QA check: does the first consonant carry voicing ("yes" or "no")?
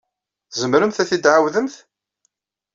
no